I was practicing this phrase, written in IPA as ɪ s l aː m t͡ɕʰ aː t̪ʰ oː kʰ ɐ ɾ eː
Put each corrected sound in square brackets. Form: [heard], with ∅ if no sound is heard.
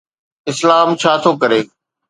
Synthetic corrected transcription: ɪ s l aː m t͡ɕʰ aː t̪ʰ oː [k] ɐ ɾ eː